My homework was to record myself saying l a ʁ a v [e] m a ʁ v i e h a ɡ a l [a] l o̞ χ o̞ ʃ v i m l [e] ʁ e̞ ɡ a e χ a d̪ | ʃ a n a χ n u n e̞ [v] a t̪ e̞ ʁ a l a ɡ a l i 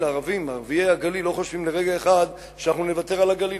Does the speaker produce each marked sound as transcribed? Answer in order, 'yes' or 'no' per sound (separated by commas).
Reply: no, no, yes, yes